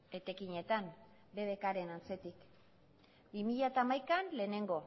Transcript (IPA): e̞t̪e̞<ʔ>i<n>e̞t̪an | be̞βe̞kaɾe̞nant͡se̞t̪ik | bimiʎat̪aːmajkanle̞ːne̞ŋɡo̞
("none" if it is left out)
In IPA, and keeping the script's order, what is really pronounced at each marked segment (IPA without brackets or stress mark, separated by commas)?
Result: k, ɲ